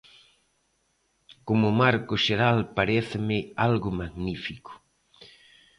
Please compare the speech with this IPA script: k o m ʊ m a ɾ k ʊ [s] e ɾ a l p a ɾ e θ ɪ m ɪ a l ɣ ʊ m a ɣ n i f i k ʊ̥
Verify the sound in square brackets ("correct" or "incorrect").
incorrect